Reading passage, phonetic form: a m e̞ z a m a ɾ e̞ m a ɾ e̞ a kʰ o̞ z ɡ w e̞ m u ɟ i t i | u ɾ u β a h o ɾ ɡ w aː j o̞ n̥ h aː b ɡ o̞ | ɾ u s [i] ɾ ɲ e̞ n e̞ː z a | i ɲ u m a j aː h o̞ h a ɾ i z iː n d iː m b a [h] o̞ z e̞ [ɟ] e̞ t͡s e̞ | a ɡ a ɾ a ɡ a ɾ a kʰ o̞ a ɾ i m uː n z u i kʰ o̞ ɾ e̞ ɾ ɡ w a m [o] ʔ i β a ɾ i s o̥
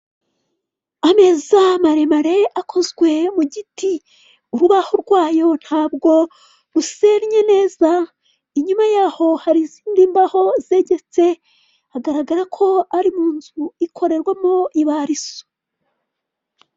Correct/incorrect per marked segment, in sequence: incorrect, correct, correct, correct

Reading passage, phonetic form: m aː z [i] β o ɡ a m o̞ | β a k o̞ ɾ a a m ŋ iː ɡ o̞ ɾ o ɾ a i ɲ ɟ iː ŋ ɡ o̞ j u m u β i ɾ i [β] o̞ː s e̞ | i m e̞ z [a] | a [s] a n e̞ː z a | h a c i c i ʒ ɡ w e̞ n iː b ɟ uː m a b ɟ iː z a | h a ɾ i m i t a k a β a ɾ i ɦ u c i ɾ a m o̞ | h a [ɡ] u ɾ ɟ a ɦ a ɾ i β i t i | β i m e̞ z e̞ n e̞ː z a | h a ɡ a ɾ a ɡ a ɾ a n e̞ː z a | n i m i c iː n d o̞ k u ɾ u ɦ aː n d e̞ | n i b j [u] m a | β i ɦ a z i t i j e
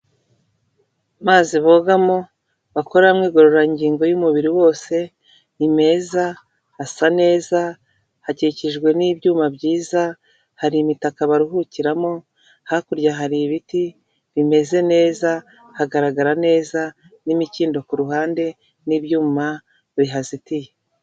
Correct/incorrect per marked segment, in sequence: correct, incorrect, correct, correct, incorrect, incorrect

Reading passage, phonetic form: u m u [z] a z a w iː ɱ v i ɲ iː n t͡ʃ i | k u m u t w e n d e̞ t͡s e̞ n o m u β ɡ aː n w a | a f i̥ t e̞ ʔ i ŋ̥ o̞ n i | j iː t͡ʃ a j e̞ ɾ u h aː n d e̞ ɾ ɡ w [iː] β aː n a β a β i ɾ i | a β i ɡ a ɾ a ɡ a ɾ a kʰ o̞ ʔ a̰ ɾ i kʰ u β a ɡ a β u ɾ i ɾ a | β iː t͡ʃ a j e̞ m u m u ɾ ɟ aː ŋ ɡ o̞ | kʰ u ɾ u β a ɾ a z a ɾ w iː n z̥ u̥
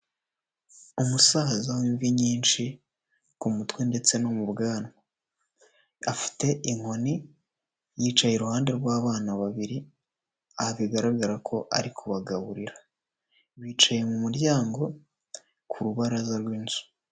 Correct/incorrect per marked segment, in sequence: incorrect, incorrect

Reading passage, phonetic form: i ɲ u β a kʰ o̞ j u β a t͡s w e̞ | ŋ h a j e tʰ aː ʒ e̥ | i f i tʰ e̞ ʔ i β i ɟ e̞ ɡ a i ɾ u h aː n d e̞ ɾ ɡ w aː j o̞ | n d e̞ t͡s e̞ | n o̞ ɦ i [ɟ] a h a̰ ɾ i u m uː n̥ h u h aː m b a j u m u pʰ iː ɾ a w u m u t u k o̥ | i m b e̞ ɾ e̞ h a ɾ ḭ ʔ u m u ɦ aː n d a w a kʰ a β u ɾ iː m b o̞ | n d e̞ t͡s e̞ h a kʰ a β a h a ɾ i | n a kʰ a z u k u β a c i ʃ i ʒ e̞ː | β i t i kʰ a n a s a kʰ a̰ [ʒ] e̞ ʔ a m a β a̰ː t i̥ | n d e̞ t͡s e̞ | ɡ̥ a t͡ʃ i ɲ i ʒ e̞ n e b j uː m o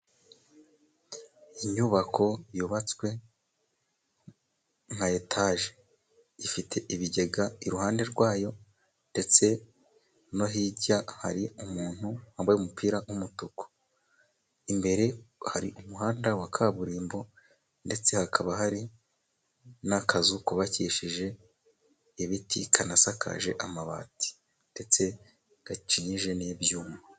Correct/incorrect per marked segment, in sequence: correct, correct

